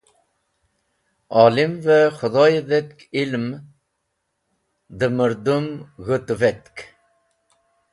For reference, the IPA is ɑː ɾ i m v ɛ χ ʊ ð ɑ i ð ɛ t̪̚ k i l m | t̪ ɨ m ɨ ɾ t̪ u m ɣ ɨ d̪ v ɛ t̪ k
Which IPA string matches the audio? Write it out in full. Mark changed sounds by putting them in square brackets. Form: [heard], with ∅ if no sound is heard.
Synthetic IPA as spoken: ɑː [l] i m v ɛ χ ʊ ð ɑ [j] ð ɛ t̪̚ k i l m | [d̪] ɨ m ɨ ɾ [d̪] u m ɣ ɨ [t̪] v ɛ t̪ k